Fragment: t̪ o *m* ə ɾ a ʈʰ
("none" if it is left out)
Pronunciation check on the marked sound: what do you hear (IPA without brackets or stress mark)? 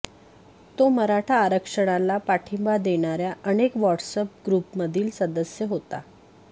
m